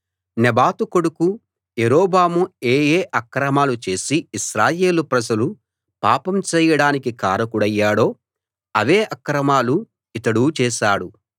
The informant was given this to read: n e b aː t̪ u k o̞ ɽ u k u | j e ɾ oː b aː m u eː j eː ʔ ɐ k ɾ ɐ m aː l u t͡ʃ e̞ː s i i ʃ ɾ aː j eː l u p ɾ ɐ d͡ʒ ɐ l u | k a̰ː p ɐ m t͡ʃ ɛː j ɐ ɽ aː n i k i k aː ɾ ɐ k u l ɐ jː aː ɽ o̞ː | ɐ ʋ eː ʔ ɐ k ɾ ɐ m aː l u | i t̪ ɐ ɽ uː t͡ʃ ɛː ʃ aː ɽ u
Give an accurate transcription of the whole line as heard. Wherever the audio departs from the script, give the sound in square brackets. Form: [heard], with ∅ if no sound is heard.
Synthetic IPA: n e b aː t̪ u k o̞ ɽ u k u | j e ɾ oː b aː m u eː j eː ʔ ɐ k ɾ ɐ m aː l u t͡ʃ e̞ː s i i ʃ ɾ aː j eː l u p ɾ ɐ d͡ʒ ɐ l u | [p] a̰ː p ɐ m t͡ʃ ɛː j ɐ ɽ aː n i k i k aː ɾ ɐ k u [ɽ] ɐ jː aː ɽ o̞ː | ɐ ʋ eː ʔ ɐ k ɾ ɐ m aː l u | i t̪ ɐ ɽ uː t͡ʃ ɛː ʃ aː ɽ u